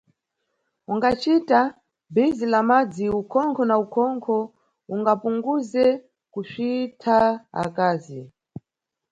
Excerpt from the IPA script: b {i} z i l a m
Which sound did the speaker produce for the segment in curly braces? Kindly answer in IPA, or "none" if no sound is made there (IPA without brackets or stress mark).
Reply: i